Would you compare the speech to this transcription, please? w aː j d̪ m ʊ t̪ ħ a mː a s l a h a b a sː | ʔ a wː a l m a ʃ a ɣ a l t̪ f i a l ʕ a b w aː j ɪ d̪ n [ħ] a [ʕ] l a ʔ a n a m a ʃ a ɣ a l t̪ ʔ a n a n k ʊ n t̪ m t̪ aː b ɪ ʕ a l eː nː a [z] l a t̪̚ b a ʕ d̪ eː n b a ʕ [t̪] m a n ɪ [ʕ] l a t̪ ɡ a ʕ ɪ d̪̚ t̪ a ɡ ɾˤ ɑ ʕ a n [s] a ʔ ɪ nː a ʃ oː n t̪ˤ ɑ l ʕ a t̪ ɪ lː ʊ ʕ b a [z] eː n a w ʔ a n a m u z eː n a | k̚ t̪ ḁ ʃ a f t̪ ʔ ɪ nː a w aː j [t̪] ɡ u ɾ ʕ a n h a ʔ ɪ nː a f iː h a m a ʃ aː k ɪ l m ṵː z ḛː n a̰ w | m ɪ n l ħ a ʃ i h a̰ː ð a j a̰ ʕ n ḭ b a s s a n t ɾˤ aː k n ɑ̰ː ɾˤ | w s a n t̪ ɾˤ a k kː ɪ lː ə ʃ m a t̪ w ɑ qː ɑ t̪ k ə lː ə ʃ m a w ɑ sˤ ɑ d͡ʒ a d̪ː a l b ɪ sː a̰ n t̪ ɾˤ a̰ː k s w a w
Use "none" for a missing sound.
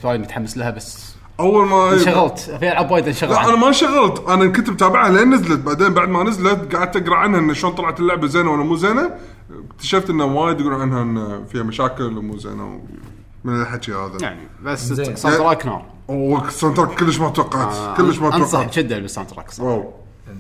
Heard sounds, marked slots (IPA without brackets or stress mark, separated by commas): ʃ, ɣ, z, d̪, z, h, z, d̪